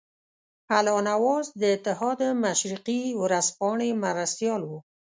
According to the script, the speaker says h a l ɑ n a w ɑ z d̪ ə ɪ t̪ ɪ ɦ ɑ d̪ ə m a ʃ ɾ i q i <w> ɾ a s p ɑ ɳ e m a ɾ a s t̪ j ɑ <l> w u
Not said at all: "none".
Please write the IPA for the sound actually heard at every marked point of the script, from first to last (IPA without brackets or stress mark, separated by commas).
w, l